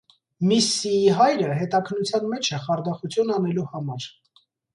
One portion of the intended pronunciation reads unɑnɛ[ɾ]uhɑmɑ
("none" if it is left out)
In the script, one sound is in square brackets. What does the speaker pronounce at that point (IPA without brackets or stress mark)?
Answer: l